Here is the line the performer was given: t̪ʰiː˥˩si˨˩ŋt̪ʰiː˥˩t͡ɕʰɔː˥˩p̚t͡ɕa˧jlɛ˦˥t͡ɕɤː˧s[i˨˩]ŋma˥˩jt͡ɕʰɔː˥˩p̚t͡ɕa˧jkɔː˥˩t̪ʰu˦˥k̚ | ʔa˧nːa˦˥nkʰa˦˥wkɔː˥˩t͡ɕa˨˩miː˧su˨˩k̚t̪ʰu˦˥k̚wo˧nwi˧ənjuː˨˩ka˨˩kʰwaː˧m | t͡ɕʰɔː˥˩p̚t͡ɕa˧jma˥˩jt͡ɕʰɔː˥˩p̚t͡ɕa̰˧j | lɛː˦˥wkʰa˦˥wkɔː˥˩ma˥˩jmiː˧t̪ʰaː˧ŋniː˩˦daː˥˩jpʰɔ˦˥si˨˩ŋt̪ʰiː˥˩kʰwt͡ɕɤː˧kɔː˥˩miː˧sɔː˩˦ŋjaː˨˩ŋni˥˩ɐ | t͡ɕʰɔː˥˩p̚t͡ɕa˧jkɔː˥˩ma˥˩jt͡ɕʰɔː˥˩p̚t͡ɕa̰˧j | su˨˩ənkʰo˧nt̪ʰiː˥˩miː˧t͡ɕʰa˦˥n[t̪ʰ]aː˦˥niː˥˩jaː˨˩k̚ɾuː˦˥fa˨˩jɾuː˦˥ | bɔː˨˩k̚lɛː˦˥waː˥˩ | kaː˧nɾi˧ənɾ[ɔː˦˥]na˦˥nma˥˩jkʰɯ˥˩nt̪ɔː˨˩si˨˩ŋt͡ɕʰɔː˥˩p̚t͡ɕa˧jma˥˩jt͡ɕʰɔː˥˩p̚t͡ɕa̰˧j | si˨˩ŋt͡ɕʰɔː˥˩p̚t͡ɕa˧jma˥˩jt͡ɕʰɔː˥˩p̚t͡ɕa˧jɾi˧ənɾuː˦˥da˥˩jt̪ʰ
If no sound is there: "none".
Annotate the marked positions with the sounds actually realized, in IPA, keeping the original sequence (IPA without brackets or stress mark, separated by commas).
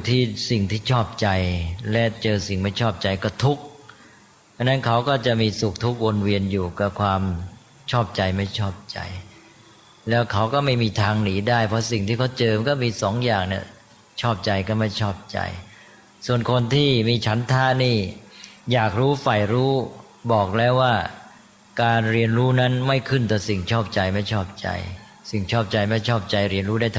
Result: i˨˩, t̪ʰ, uː˦˥